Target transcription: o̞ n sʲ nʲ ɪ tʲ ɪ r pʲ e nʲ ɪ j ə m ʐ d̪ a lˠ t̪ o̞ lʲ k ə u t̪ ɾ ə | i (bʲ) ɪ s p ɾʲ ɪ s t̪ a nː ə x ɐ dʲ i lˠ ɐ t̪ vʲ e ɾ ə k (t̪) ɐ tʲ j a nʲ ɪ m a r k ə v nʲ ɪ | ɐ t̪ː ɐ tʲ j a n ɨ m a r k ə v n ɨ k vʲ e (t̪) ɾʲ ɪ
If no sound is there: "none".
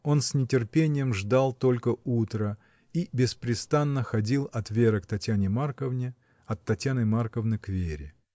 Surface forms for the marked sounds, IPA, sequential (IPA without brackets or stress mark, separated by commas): bʲ, t̪, none